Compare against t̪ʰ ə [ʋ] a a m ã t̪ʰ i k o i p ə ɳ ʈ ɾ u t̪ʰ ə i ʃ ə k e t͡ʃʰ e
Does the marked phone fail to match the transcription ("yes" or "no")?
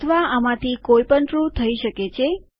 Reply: no